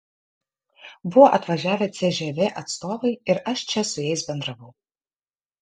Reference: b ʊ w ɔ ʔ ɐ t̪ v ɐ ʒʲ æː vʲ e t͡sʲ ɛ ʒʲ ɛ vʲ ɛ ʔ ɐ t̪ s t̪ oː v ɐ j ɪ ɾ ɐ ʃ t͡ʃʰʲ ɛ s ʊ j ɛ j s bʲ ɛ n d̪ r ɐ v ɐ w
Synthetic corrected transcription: b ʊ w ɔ ʔ ɐ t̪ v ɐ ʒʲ æː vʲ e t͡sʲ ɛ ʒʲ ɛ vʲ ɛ ʔ ɐ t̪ s t̪ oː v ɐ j ɪ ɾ ɐ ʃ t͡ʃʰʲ ɛ s ʊ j ɛ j s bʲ ɛ n d̪ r ɐ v ɐ w